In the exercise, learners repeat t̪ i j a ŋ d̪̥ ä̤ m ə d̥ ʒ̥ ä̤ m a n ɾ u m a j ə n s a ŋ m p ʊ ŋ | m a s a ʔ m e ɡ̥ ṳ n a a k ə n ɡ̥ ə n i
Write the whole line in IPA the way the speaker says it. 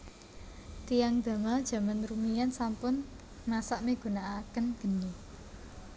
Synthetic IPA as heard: t̪ i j a ŋ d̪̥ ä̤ m a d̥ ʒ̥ ä̤ m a n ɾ u m i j a n s a m p ʊ n | m a s a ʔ m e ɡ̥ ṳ n a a k ə n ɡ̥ ə n i